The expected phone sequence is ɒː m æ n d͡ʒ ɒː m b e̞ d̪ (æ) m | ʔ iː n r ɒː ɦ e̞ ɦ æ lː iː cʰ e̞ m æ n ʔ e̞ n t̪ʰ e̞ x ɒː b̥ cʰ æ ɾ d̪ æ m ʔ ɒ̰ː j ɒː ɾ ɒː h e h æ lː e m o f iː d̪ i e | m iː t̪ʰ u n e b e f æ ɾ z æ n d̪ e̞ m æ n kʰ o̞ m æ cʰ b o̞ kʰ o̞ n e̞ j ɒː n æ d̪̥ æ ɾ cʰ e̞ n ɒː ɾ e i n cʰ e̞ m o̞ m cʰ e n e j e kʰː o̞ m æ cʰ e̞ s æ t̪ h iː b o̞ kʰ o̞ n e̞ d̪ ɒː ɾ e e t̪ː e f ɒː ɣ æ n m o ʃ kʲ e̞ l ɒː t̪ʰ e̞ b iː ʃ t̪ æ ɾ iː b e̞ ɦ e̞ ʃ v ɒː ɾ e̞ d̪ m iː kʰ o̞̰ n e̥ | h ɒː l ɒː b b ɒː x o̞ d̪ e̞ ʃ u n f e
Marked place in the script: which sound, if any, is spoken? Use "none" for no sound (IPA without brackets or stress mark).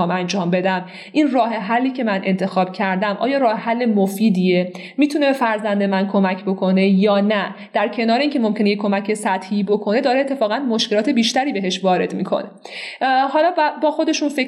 æ